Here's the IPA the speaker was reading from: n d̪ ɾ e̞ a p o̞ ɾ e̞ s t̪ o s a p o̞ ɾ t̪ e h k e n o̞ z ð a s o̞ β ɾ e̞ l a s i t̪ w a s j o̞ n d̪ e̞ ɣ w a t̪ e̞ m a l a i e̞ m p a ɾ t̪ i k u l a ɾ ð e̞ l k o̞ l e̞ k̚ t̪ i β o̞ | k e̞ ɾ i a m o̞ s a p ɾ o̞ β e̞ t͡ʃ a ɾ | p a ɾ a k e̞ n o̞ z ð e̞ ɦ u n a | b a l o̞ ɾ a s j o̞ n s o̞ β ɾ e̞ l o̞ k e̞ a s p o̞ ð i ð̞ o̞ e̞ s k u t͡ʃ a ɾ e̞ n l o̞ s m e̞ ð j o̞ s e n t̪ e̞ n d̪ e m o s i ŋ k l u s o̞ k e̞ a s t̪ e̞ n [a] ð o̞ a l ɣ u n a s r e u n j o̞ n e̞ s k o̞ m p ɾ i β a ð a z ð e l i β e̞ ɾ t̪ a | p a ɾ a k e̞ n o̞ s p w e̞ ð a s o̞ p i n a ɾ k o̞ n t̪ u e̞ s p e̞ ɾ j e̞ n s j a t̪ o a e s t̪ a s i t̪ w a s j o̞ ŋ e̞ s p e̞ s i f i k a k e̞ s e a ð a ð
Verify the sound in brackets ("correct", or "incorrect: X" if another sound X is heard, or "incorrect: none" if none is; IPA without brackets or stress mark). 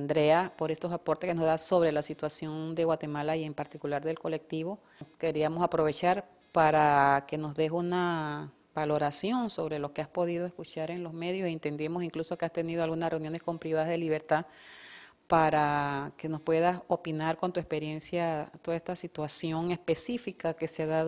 incorrect: i